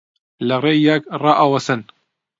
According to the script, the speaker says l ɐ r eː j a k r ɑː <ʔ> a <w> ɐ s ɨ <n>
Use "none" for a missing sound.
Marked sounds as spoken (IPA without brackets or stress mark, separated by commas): ʔ, w, n